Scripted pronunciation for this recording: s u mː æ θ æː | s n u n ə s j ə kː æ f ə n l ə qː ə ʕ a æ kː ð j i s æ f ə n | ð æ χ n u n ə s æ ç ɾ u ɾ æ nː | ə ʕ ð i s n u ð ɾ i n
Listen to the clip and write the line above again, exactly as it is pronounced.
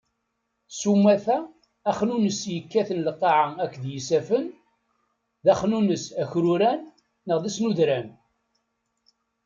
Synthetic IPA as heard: s u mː æ θ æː | χ n u n ə s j ə kː æ θ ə n l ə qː ɑ ʕ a æ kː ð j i s æ f ə n | ð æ χ n u n ə s æ ç ɾ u ɾ æ nː | ə ʁ ð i s n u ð ɾ æ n